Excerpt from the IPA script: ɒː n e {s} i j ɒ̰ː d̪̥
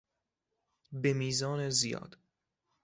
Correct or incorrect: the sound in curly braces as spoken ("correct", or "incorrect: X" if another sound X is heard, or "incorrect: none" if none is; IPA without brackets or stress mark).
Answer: incorrect: z